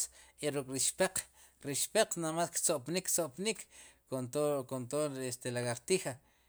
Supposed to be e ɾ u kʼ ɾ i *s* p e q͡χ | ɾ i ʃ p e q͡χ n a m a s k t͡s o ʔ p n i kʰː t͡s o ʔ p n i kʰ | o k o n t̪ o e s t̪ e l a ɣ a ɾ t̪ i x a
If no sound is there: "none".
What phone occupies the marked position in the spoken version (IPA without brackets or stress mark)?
ʃ